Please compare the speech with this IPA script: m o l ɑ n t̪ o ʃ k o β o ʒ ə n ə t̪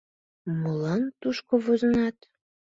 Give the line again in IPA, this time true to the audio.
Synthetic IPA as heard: m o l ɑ n t̪ u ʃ k o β o z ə n ɑ t̪